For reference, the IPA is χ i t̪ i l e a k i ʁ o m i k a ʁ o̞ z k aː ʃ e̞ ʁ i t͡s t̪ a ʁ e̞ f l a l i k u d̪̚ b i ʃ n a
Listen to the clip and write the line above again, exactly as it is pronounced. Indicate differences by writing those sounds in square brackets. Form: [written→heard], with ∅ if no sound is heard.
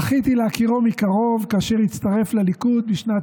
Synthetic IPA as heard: χ i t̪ i l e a k i ʁ o m i k a ʁ o̞ [z→v] k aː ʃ e̞ ʁ i t͡s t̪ a ʁ e̞ f l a l i k u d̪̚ b i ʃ n a